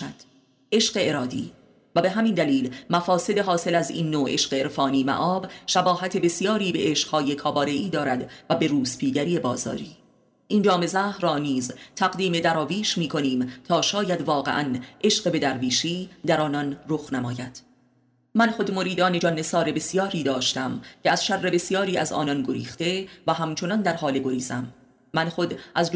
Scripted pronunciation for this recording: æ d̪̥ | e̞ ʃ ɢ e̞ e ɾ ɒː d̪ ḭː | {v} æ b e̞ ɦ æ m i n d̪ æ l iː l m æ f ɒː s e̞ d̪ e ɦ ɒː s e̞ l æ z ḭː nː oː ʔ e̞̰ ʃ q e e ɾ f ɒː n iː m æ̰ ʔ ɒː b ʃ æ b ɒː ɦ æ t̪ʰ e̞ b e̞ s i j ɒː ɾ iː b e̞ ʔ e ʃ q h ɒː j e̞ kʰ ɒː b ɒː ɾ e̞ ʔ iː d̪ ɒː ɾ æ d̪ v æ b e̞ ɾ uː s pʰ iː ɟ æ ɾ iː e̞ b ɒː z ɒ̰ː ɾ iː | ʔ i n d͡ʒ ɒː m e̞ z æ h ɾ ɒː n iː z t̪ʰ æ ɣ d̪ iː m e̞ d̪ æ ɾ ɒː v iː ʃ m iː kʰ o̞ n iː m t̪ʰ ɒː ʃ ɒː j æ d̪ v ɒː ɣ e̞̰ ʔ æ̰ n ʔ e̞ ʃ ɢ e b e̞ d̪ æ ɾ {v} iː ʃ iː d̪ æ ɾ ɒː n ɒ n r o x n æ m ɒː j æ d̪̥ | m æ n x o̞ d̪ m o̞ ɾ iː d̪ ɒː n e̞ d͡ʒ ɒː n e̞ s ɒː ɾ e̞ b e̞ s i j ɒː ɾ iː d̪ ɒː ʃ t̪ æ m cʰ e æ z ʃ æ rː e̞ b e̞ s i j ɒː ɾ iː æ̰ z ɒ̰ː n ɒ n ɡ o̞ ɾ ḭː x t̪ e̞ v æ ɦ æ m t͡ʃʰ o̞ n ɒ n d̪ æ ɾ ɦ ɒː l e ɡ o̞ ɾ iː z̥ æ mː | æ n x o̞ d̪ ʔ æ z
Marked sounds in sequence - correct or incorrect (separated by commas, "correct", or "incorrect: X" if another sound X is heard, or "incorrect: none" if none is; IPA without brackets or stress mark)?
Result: correct, correct